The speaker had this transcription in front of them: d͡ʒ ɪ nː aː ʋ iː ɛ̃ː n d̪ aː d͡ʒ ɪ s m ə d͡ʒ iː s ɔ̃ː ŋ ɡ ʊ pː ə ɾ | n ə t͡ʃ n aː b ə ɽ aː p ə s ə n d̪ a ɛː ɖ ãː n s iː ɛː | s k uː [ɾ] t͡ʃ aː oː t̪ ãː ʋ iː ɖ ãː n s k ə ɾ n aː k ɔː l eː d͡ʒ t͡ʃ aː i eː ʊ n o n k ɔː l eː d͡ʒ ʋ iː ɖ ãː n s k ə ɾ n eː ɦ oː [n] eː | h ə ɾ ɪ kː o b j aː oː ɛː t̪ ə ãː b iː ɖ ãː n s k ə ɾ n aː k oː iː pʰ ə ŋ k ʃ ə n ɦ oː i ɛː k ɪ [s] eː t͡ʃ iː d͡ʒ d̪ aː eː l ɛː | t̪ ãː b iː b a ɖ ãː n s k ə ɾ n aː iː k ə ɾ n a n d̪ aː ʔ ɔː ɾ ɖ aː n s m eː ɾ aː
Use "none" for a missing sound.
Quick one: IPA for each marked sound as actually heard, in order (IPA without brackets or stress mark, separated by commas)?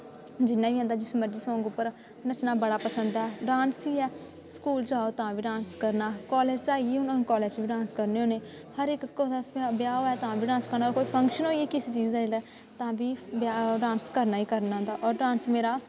l, n, s